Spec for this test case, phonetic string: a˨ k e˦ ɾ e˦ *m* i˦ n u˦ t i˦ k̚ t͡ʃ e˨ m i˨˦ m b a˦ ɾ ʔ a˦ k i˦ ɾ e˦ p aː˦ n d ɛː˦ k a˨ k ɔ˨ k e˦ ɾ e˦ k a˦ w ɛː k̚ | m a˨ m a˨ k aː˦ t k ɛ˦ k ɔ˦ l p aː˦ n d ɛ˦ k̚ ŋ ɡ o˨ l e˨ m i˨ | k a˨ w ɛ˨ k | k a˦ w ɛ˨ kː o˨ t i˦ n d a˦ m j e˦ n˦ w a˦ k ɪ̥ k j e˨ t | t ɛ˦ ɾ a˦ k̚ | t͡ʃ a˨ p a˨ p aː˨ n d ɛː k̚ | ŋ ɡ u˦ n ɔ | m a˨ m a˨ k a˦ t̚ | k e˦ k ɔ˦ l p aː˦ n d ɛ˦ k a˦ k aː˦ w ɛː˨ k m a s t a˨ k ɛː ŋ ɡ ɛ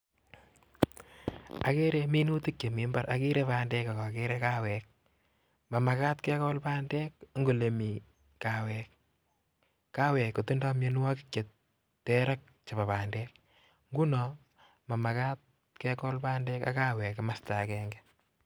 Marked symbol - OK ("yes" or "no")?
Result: yes